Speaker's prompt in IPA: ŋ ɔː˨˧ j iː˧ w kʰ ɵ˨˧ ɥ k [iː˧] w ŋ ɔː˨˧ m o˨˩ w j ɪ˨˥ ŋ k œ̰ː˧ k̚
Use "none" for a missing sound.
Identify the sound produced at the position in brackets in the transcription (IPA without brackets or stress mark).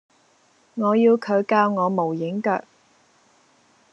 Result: aː˧